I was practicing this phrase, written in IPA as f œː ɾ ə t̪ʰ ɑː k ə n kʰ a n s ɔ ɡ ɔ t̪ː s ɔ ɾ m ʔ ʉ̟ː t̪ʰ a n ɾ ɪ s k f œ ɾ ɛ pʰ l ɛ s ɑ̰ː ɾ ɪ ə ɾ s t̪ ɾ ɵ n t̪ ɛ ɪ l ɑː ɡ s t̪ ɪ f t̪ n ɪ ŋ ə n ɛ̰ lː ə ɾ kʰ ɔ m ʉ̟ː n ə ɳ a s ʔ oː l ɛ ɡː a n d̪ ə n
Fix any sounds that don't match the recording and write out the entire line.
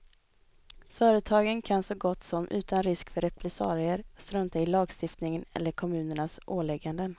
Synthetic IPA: f œː ɾ ə t̪ʰ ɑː ɡ ə n kʰ a n s ɔ ɡ ɔ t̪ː s ɔ m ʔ ʉ̟ː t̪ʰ a n ɾ ɪ s k f œ ɾ ɛ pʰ l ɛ s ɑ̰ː ɾ ɪ ə ɾ s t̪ ɾ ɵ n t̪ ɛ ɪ l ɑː ɡ s t̪ ɪ f t̪ n ɪ ŋ ə n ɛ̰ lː ə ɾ kʰ ɔ m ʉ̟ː n ə ɳ a s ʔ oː l ɛ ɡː a n d̪ ə n